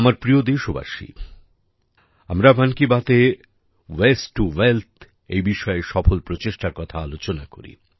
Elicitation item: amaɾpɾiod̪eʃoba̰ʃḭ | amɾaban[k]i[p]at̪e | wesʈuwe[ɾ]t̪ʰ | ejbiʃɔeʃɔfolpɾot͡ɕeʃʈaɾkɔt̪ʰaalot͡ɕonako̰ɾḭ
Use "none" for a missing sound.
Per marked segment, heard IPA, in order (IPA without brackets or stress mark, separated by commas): k, b, l